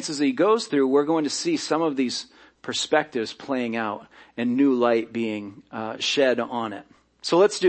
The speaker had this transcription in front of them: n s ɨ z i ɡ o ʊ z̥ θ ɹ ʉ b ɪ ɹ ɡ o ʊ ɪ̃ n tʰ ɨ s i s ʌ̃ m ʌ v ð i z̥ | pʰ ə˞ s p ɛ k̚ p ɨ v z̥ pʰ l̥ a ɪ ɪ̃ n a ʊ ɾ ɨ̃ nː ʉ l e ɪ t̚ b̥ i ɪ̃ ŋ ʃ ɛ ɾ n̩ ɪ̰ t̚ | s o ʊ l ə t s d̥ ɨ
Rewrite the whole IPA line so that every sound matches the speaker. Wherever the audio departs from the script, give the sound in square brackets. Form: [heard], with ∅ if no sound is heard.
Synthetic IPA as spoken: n s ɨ z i ɡ o ʊ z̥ θ ɹ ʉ [w] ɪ ɹ ɡ o ʊ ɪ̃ [ŋ] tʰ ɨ s i s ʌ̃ m ʌ v ð i z̥ | pʰ ə˞ s p ɛ k̚ [t] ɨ v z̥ pʰ l̥ [e] ɪ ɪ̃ [ŋ] a ʊ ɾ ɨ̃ nː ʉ l [a] ɪ t̚ b̥ i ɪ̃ ŋ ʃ ɛ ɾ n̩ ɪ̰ t̚ | s o ʊ l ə t s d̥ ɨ